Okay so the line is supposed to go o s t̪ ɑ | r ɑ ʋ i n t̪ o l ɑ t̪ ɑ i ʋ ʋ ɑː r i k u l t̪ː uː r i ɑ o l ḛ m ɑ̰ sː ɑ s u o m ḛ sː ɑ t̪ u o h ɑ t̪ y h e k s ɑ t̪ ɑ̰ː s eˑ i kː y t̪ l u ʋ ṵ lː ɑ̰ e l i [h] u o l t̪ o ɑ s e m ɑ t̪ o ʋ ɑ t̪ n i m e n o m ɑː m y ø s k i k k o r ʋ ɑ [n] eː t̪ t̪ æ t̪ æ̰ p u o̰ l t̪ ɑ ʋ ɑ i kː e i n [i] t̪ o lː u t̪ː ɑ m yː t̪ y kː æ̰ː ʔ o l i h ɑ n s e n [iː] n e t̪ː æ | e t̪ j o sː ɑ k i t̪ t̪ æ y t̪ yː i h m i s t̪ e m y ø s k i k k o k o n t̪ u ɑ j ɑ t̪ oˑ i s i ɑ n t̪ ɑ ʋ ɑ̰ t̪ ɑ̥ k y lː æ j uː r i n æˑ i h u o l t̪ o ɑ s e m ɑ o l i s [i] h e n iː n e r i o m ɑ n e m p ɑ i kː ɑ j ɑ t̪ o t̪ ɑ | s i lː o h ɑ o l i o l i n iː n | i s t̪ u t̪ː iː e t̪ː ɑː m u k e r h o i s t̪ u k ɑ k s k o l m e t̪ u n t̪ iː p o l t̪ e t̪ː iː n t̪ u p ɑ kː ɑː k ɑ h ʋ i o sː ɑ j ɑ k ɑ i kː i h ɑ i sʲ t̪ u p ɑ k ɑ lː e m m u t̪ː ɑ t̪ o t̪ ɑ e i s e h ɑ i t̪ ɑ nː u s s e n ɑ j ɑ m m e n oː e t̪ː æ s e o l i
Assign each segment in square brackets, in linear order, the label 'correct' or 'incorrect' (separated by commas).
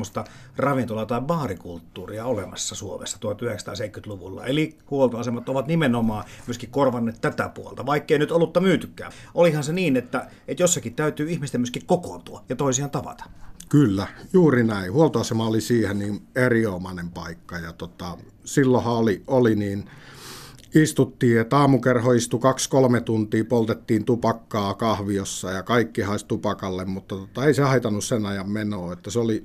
correct, incorrect, incorrect, correct, incorrect